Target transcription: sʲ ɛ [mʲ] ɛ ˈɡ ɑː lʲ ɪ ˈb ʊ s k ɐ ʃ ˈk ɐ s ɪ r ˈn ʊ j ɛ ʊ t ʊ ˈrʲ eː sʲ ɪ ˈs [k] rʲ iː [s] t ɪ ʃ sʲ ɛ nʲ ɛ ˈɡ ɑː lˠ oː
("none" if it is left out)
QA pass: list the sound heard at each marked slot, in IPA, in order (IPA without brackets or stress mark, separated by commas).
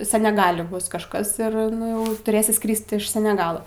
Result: nʲ, k, s